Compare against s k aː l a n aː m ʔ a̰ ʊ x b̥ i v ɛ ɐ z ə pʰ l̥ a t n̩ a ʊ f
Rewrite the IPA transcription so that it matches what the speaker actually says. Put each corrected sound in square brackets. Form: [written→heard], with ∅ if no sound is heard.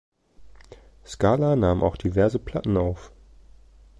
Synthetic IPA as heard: s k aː l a n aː m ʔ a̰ ʊ x [b̥→d̥] i v ɛ ɐ z ə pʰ l̥ a t n̩ a ʊ f